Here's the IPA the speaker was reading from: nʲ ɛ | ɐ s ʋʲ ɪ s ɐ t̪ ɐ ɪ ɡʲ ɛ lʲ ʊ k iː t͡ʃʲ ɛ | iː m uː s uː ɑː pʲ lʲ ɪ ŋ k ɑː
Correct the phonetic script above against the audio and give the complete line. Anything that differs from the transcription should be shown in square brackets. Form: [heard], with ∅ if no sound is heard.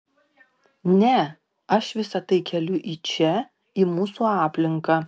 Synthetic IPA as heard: nʲ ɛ | ɐ [ʃ] ʋʲ ɪ s ɐ t̪ ɐ ɪ [kʲ] ɛ lʲ ʊ [ʔ] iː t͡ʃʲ ɛ | iː m uː s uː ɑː pʲ lʲ ɪ ŋ k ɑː